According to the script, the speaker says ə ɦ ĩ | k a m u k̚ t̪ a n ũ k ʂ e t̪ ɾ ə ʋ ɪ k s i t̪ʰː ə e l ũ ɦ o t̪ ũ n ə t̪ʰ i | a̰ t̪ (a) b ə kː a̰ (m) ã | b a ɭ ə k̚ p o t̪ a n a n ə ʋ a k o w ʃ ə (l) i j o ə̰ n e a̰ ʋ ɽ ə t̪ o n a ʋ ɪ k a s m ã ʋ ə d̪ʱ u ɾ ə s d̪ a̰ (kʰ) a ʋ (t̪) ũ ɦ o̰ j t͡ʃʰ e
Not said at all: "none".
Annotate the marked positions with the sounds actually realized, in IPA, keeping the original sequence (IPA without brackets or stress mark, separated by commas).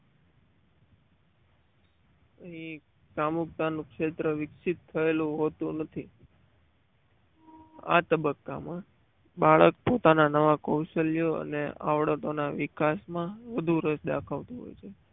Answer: ə, m, l, kʰ, t̪